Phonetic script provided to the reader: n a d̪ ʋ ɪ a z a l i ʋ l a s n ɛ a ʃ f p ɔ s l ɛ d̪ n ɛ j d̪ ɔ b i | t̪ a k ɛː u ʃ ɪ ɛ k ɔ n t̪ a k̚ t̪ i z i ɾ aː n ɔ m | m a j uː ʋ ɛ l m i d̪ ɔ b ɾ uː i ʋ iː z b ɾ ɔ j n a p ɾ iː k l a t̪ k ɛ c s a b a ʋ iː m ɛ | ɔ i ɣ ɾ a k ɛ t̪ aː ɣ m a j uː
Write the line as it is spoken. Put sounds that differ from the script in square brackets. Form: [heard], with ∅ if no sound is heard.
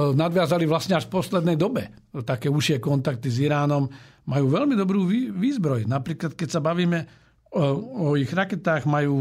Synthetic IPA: n a d̪ ʋ ɪ a z a l i ʋ l a s [ɲ] ɛ a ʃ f p ɔ s l ɛ d̪ n ɛ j d̪ ɔ b [ɛ] | t̪ a k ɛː u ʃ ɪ ɛ k ɔ n t̪ a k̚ t̪ i z i ɾ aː n ɔ m | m a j uː ʋ ɛ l m i d̪ ɔ b ɾ uː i ʋ iː z b ɾ ɔ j n a p ɾ iː k l a t̪ k ɛ c s a b a ʋ iː m ɛ | ɔ i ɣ ɾ a k ɛ t̪ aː ɣ m a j uː